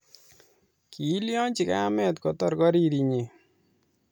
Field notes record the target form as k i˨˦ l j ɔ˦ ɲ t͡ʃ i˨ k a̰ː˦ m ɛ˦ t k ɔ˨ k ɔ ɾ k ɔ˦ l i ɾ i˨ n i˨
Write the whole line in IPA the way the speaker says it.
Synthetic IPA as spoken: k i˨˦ l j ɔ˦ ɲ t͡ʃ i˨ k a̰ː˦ m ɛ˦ t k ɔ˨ t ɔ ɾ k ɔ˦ ɾ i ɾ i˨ ɲ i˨